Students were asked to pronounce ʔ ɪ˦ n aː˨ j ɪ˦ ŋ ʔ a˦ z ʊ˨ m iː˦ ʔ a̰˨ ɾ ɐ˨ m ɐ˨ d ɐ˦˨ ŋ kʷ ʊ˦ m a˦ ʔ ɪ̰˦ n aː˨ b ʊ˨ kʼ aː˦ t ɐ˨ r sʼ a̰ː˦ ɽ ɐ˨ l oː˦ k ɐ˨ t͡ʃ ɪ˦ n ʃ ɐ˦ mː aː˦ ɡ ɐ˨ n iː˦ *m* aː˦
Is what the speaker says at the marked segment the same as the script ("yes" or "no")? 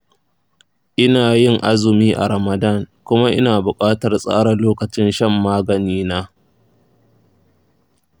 no